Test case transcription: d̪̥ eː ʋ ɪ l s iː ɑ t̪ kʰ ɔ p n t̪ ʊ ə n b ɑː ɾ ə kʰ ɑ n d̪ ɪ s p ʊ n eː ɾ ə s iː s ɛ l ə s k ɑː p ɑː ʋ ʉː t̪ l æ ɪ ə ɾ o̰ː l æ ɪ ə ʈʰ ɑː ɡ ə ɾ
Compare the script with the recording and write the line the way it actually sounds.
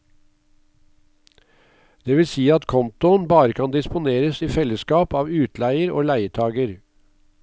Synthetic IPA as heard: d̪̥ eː ʋ ɪ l s iː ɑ t̪ kʰ ɔ n t̪ ʊ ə n b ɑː ɾ ə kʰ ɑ n d̪ ɪ s p ʊ n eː ɾ ə s iː f ɛ l ə s k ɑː p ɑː ʋ ʉː t̪ l æ ɪ ə ɾ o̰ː l æ ɪ ə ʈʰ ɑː ɡ ə ɾ